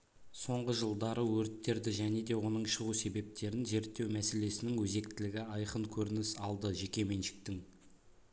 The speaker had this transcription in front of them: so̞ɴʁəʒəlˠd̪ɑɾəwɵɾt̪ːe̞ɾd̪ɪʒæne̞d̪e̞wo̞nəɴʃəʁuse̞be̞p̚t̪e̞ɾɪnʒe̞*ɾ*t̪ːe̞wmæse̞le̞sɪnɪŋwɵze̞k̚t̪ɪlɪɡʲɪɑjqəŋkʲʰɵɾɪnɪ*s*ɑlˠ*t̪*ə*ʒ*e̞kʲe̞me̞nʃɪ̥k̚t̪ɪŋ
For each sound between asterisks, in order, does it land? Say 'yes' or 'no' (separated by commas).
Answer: yes, yes, no, yes